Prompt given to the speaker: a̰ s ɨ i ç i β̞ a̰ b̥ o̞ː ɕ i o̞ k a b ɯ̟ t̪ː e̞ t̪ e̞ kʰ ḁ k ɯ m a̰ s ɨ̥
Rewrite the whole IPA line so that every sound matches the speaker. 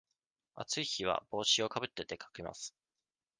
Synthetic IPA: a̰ t͡s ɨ i ç i β̞ a̰ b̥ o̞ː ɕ i o̞ k a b ɯ̟ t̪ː e̞ t̪ e̞ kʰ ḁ k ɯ m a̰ s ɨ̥